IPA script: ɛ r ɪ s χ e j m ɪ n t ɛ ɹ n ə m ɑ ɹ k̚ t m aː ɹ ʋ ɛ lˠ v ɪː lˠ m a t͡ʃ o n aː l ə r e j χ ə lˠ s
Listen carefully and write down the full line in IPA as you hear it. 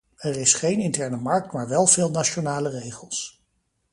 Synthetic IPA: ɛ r ɪ s χ e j n ɪ n t ɛ ɹ n ə m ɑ ɹ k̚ t m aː ɹ ʋ ɛ lˠ v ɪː lˠ n a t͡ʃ o n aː l ə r e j χ ə lˠ s